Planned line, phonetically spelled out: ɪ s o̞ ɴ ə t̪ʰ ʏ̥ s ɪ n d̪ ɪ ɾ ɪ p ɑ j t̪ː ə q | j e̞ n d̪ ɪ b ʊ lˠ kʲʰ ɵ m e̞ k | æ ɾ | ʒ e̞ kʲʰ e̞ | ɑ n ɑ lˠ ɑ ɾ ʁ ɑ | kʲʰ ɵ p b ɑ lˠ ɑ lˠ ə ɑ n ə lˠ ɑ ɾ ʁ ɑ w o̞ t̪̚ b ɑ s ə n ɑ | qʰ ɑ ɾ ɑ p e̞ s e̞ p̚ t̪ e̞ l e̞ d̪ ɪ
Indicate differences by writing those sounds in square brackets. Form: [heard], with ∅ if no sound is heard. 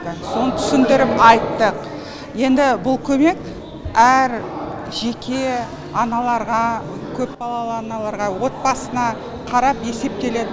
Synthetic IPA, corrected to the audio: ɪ s o̞ [n] ə t̪ʰ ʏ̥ s ɪ n d̪ ɪ ɾ ɪ p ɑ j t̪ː ə q | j e̞ n d̪ ɪ b ʊ lˠ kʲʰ ɵ m e̞ k | æ ɾ | ʒ e̞ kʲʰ e̞ | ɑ n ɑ lˠ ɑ ɾ ʁ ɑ | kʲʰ ɵ p b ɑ lˠ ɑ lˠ ə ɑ n [ɑ] lˠ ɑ ɾ ʁ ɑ w o̞ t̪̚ b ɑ s ə n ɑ | qʰ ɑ ɾ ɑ p e̞ s e̞ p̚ t̪ e̞ l e̞ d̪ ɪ